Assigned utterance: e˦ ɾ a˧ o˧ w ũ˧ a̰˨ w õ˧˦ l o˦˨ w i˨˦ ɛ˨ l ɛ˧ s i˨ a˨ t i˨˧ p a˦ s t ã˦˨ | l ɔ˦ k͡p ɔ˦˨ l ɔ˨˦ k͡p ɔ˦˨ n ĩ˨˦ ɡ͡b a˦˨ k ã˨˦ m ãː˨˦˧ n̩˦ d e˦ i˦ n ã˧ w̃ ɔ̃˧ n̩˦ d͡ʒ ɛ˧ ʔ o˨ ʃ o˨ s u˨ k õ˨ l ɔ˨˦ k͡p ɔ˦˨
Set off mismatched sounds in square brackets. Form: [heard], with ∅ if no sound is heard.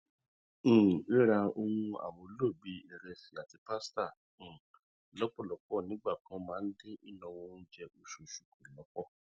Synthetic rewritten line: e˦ ɾ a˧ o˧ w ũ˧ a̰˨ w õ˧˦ l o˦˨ [b] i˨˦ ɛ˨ [ɾ] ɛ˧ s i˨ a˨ t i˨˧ p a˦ s t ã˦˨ | l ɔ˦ k͡p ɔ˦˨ l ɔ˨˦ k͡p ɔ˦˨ n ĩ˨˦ ɡ͡b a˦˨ k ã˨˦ m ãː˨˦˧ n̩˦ d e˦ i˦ n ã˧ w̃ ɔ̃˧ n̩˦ d͡ʒ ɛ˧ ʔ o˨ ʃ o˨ [ʃ] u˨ k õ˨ l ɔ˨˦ k͡p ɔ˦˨